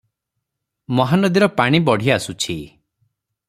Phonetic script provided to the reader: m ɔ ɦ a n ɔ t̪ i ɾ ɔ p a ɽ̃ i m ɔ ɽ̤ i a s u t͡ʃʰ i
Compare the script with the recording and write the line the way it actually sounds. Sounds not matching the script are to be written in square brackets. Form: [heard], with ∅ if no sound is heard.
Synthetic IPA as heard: m ɔ ɦ a n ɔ [d̪] i ɾ ɔ p a ɽ̃ i [b] ɔ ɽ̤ i a s u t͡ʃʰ i